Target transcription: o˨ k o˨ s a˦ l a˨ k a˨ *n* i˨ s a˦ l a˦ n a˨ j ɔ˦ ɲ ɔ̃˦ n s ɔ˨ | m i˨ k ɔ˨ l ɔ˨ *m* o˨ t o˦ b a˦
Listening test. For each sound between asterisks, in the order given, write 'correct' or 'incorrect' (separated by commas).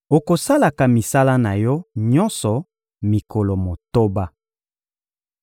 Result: incorrect, correct